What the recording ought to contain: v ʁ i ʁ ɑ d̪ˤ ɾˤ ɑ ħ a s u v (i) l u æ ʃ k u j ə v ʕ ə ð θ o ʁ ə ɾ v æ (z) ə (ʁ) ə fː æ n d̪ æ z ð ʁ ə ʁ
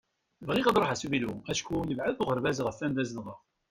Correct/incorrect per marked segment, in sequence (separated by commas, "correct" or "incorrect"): correct, correct, correct